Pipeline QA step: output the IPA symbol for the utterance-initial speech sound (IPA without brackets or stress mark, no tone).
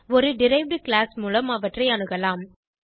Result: ɔ